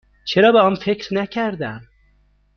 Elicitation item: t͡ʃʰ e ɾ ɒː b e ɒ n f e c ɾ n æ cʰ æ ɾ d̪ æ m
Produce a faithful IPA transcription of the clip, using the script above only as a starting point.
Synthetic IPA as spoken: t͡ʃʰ e ɾ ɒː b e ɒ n f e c ɾ n æ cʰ æ ɾ d̪ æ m